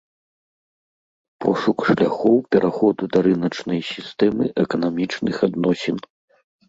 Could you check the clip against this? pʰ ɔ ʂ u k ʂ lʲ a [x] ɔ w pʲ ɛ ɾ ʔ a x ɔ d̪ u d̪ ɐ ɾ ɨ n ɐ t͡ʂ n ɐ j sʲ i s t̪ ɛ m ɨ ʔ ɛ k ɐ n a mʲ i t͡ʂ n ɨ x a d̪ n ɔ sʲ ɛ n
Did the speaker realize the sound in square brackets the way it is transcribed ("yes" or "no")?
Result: yes